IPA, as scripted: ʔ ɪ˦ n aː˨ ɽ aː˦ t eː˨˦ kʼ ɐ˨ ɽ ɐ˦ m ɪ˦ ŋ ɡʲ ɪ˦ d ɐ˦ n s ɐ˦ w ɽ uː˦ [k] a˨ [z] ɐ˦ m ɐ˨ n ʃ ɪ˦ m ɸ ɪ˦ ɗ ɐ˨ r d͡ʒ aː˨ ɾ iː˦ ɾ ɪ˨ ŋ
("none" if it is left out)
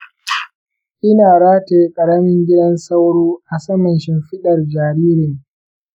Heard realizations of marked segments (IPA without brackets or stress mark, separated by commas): ʔ, s